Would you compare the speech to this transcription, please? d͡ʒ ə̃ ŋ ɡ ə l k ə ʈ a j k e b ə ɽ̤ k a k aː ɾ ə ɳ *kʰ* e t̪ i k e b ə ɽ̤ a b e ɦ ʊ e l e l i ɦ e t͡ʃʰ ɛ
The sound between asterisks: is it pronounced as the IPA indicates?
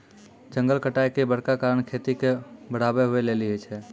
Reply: yes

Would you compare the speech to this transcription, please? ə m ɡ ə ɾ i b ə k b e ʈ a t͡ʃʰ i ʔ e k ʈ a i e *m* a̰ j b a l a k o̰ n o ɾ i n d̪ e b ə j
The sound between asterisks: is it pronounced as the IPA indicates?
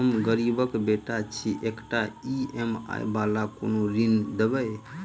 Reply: yes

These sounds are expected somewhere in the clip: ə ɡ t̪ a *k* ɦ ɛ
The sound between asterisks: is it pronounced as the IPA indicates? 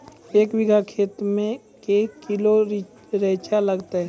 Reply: no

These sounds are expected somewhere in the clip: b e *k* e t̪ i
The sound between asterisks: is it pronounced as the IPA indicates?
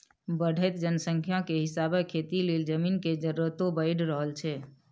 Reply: no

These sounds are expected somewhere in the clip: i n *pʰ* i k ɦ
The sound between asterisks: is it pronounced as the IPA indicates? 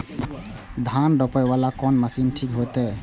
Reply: no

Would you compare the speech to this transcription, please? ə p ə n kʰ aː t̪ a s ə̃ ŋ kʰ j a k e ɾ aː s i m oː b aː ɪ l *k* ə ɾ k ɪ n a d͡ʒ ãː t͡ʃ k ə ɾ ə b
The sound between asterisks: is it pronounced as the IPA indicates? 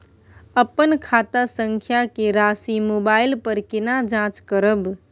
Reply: no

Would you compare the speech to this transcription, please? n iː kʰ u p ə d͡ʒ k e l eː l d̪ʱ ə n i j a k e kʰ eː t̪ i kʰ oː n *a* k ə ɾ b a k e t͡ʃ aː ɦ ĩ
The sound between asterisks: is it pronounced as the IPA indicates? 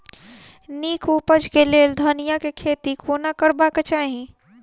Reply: yes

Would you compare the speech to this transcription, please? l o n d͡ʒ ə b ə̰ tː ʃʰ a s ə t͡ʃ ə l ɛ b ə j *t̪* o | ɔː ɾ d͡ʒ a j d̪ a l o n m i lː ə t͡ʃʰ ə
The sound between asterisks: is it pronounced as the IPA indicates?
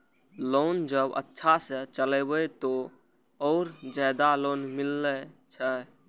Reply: yes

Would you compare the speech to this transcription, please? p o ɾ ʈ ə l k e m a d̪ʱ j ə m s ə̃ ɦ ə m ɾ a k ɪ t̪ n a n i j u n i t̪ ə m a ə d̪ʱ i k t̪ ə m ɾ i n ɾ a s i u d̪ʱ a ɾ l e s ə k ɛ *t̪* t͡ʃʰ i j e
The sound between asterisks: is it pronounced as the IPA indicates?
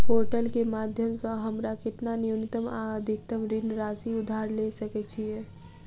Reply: no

